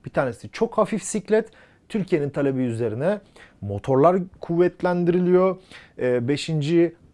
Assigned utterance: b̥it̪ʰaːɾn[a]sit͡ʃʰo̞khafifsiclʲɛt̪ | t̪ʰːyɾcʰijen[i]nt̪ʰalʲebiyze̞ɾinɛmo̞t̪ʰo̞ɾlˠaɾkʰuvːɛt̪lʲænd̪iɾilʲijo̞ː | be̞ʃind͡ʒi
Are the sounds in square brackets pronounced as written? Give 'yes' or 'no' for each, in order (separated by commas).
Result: no, yes